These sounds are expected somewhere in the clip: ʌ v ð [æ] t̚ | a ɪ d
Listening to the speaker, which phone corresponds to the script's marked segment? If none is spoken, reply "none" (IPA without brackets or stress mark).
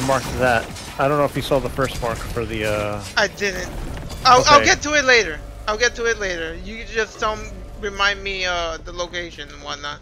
æ